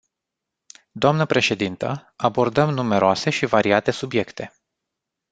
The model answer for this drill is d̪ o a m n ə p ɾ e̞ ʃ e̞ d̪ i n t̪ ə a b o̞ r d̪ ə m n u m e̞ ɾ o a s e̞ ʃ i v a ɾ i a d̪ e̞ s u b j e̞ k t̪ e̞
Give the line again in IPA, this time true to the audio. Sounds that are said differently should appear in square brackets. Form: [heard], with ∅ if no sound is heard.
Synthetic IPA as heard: d̪ o a m n ə p ɾ e̞ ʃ e̞ d̪ i n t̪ ə a b o̞ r d̪ ə m n u m e̞ ɾ o a s e̞ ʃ i v a ɾ i a [t̪] e̞ s u b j e̞ k t̪ e̞

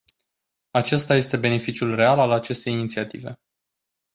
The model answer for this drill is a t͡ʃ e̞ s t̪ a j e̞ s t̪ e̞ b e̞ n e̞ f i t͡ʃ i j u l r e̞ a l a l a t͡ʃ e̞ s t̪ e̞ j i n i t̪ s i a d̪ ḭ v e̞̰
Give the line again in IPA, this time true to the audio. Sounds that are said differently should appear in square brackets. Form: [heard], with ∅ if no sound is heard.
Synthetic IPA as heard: a t͡ʃ e̞ s t̪ a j e̞ s t̪ e̞ b e̞ n e̞ f i t͡ʃ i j u l r e̞ a l a l a t͡ʃ e̞ s t̪ e̞ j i n i t̪ s i a [t̪] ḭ v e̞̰

